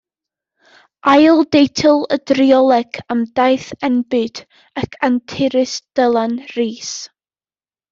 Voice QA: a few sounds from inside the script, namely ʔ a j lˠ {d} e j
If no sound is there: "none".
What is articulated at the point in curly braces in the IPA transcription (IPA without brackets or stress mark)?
d